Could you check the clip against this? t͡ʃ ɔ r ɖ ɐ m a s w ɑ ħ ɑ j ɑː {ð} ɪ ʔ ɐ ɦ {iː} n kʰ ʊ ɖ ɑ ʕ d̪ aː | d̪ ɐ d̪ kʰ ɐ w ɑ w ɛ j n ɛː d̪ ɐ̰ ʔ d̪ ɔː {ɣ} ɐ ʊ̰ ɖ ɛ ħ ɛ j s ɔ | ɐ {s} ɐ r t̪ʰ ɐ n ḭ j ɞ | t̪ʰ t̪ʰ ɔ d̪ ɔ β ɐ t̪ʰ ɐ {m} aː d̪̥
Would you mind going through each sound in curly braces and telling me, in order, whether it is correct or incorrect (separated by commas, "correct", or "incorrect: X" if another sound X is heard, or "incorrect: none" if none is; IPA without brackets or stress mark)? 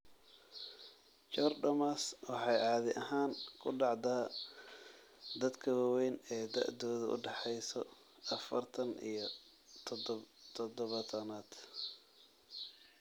correct, incorrect: aː, incorrect: ð, incorrect: f, incorrect: n